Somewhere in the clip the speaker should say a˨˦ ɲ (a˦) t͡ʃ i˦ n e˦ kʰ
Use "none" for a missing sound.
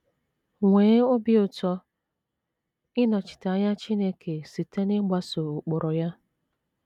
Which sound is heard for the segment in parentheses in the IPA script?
a˦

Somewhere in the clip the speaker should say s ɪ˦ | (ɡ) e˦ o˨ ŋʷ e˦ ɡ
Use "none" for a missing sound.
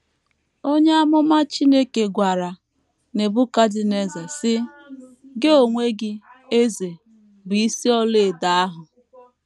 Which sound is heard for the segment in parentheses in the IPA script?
ɡ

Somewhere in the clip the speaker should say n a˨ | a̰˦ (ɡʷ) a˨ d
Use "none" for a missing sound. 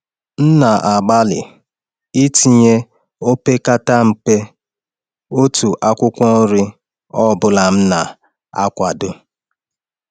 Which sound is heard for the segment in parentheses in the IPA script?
kʷ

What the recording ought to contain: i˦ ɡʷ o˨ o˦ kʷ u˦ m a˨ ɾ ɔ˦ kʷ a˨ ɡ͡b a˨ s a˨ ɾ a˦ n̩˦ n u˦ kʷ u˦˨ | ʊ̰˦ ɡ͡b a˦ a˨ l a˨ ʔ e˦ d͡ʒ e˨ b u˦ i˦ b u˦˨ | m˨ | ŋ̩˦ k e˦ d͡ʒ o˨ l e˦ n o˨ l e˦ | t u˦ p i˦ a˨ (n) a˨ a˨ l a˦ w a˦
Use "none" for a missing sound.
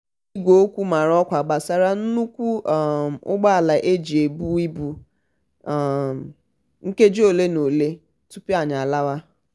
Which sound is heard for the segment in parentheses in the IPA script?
ɲ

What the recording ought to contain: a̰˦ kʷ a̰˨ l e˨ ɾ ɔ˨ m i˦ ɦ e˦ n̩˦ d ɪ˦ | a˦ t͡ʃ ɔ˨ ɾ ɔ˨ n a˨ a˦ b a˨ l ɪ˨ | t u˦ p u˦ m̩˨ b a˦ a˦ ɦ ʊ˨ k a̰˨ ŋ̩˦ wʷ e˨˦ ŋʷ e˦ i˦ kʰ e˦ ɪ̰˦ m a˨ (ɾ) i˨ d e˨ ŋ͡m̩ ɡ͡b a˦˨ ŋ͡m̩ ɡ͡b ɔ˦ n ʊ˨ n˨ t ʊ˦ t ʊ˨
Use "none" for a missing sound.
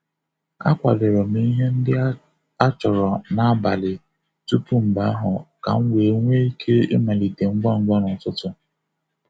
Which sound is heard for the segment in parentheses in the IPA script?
l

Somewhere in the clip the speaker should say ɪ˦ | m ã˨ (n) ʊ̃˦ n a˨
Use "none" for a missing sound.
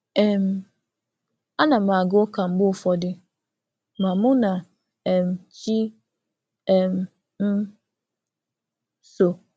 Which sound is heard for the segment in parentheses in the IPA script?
m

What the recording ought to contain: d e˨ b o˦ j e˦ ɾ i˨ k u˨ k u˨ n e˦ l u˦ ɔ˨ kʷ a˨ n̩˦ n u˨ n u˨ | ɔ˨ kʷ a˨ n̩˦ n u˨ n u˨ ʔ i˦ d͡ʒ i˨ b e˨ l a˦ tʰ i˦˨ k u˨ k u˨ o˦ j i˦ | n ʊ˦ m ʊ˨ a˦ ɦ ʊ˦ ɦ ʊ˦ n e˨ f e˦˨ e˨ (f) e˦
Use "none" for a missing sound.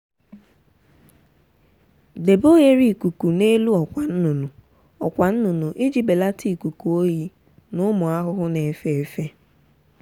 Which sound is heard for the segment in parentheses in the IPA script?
f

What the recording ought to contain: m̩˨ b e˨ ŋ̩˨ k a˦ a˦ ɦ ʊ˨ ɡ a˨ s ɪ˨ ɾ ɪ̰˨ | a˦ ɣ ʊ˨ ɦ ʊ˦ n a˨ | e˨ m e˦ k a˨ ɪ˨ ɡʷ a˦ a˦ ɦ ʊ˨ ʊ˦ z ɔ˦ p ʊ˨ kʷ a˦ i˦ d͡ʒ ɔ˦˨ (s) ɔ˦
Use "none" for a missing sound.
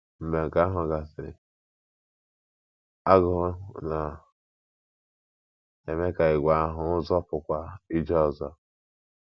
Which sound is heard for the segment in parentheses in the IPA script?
z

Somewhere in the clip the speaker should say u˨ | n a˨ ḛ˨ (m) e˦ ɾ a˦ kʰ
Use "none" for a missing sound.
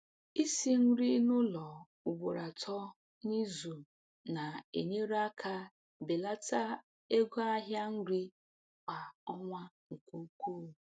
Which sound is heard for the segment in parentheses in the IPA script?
ɲ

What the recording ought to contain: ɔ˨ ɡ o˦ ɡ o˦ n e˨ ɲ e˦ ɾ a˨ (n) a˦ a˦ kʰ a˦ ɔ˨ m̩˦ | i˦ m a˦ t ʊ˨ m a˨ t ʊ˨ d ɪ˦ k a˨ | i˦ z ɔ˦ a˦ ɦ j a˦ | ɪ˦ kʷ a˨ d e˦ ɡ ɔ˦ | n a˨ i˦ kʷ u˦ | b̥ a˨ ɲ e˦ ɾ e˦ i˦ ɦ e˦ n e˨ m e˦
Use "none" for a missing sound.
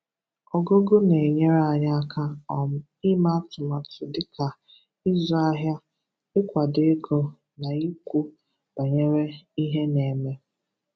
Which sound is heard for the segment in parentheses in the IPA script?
ɲ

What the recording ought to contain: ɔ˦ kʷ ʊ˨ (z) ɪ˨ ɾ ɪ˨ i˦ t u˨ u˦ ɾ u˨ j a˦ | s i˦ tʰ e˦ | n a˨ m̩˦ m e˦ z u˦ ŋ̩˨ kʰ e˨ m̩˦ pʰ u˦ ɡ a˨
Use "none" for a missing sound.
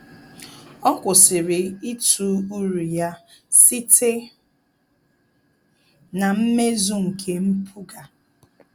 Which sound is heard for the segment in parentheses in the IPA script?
s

